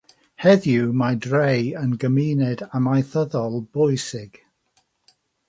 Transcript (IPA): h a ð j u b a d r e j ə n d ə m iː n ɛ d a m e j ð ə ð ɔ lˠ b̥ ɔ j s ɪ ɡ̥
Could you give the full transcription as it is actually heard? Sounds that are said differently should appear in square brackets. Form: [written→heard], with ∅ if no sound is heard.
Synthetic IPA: h [a→ɛ] ð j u [b→m] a d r e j ə n [d→ɡ] ə m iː n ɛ d a m [e→a] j [ð→θ] ə ð ɔ lˠ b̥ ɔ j s ɪ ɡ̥

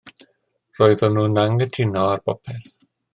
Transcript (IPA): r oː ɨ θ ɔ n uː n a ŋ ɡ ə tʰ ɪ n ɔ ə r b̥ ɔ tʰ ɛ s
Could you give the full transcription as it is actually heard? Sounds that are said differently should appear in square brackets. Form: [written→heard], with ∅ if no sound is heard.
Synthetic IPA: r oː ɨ [θ→ð] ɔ n uː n a ŋ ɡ ə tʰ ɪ n ɔ [ə→a] r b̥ ɔ [tʰ→pʰ] ɛ [s→θ]

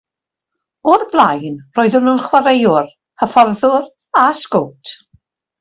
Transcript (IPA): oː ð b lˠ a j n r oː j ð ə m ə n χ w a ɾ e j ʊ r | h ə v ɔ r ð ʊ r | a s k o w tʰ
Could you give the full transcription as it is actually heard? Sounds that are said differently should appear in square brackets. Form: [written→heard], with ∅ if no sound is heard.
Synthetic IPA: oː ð b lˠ a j n r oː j ð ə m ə n χ w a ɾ e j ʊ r | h ə [v→f] ɔ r ð ʊ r | a s k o w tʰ

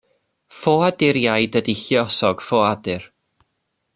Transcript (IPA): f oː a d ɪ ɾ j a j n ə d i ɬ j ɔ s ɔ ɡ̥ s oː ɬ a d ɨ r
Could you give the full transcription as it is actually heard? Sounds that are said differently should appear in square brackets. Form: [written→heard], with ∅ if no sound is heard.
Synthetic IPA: f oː a d ɪ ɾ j a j [n→d] ə d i ɬ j ɔ s ɔ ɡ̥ [s→f] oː [ɬ→∅] a d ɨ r

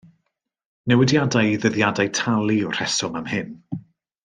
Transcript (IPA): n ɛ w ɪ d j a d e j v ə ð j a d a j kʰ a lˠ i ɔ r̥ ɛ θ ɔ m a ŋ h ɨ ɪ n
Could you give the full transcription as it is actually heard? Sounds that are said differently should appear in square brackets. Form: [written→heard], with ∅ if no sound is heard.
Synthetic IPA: n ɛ w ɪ d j a d [e→a] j [v→ð] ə ð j a d a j [kʰ→tʰ] a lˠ i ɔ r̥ ɛ [θ→s] ɔ m a [ŋ→m] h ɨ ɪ n

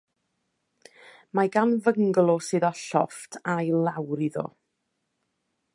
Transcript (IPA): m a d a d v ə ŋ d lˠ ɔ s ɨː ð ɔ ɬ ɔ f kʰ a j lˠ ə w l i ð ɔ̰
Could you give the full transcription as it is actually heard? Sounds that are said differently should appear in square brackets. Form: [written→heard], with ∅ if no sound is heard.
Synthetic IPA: m a [d→ɡ] a [d→n] v ə ŋ [d→ɡ] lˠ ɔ s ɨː ð ɔ ɬ ɔ f [kʰ→tʰ] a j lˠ [ə→a] w [l→ɾ] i ð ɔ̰

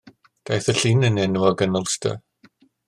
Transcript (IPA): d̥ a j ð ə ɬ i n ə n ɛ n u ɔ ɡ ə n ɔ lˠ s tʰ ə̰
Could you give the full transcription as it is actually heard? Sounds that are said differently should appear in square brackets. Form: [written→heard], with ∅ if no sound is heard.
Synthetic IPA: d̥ a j [ð→θ] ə ɬ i n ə n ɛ n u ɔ ɡ ə n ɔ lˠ s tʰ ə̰

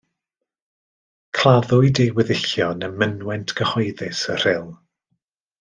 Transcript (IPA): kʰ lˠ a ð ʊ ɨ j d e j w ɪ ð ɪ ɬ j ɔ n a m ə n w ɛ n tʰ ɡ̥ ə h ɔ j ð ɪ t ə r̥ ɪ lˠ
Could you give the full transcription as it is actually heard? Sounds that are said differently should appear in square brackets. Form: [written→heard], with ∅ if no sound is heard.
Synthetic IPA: kʰ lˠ a ð ʊ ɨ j d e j w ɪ ð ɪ ɬ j ɔ n [a→ə] m ə n w ɛ n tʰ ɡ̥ ə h ɔ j ð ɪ [t→s] ə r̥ ɪ lˠ

